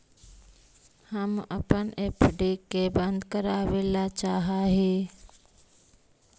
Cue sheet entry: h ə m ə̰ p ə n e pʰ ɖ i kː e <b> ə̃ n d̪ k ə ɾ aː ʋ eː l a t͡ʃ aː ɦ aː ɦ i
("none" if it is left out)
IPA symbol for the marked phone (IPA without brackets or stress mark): b